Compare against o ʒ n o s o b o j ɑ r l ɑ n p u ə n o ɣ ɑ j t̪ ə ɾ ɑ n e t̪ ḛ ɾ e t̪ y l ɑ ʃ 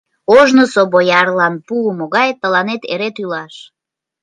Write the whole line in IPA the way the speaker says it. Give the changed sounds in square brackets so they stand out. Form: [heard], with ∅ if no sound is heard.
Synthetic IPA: o ʒ n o s o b o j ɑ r l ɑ n p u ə [m] o ɣ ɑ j t̪ ə [l] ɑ n e t̪ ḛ ɾ e t̪ y l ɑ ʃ